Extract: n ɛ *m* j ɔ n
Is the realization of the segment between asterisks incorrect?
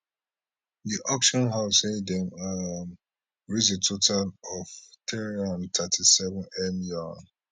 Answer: no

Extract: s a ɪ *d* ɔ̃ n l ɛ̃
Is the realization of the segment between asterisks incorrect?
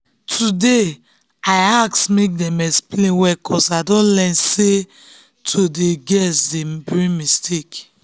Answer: no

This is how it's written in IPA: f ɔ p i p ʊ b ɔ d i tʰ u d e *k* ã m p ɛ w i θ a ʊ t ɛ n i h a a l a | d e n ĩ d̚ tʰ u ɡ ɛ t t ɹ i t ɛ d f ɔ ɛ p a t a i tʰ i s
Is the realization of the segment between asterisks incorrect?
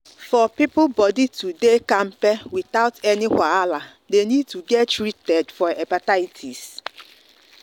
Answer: no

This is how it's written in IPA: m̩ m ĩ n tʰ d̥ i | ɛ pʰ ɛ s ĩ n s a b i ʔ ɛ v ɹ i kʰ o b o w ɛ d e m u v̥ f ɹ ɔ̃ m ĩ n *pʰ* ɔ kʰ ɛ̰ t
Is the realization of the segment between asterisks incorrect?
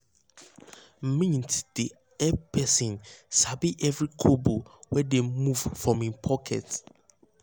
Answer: no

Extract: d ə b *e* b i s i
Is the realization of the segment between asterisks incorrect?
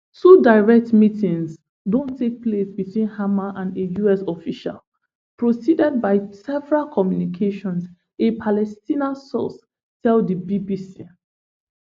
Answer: yes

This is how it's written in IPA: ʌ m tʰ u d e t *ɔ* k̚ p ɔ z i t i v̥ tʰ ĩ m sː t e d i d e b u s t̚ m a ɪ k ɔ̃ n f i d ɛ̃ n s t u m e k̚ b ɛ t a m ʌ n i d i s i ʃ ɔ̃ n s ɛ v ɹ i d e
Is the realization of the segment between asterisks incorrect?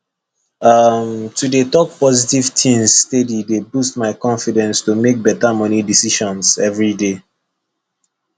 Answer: no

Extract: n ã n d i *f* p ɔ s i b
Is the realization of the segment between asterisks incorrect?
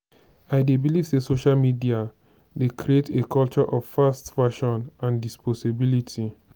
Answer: yes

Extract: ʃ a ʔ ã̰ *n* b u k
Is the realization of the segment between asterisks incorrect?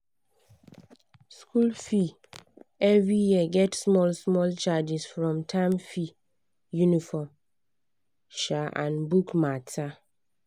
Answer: no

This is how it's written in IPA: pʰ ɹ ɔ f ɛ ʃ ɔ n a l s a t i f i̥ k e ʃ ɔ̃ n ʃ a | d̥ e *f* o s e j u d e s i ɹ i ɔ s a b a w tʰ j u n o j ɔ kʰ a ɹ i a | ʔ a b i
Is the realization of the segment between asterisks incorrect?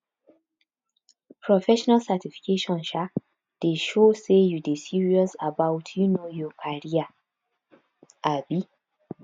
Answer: yes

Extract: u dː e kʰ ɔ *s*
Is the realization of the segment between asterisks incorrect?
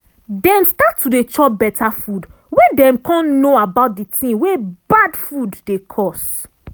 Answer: no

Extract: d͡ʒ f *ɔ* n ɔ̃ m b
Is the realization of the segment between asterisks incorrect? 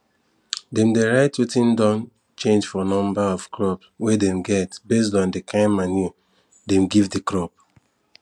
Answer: no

